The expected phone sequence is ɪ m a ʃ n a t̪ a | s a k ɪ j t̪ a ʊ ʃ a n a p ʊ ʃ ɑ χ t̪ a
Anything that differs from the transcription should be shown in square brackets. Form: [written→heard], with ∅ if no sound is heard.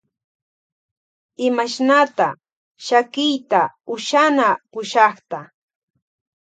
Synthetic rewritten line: ɪ m a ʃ n a t̪ a | [s→ʃ] a k ɪ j t̪ a ʊ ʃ a n a p ʊ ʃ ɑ χ t̪ a